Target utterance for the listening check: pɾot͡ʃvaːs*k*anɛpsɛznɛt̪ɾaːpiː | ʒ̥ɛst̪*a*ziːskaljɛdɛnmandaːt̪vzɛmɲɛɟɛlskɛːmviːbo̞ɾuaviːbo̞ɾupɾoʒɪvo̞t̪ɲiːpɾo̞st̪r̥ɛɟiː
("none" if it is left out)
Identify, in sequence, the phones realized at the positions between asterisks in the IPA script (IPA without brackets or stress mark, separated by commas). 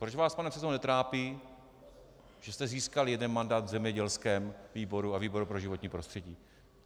p, ɛ